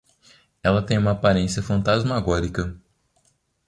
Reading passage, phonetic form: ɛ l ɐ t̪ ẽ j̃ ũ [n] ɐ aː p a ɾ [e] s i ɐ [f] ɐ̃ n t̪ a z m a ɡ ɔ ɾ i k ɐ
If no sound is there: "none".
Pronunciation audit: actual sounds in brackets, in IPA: m, ẽ, f

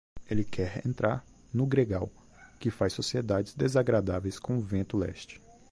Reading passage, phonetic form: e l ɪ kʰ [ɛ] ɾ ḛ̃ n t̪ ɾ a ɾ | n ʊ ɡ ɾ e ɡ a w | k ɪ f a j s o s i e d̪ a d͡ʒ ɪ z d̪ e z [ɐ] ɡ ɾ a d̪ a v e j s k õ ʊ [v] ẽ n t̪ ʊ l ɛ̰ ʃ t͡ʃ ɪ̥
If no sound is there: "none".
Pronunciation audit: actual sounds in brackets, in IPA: ɛ, a, v

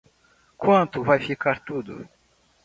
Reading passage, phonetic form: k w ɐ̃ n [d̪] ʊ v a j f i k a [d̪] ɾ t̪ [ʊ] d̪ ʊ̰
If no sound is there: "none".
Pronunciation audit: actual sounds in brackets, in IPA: t̪, none, u

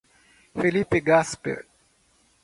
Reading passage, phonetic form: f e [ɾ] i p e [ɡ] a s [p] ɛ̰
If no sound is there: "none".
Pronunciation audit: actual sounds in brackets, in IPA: l, ɡ, p

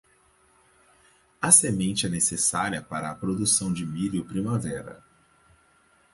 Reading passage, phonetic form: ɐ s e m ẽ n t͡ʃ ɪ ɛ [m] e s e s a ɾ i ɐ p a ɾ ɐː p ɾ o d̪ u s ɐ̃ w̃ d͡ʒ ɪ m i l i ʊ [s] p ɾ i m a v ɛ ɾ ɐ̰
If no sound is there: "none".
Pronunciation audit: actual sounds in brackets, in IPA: n, none

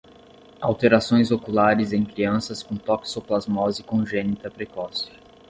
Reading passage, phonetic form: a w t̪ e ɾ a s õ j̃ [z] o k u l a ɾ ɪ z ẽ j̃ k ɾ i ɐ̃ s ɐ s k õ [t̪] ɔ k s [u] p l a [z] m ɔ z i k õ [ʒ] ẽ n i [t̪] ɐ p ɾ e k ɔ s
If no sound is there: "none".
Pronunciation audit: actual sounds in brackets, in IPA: z, t̪, o, z, ʒ, t̪

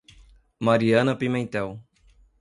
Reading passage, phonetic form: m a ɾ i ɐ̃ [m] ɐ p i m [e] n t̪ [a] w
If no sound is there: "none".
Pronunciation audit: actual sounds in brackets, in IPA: n, ẽ, ɛ

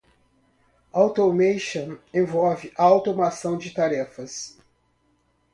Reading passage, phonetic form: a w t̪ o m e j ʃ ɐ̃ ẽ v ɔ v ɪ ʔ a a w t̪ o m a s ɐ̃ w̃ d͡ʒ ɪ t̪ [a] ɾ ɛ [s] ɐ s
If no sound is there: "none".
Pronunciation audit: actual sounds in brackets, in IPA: a, f

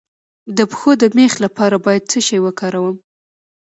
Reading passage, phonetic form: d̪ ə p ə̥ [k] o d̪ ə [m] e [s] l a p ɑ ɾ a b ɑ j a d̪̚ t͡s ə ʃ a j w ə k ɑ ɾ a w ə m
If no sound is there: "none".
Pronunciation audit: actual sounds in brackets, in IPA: x, m, x

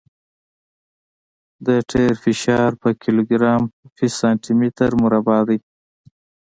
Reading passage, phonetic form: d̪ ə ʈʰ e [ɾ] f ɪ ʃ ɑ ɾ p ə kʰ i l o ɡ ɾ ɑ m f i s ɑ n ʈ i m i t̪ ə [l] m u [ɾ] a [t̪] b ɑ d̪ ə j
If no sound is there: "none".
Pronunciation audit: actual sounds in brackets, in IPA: ɾ, ɾ, ɾ, none

